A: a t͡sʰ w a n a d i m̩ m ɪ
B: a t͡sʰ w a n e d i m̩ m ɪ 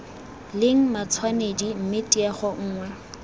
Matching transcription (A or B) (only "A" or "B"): B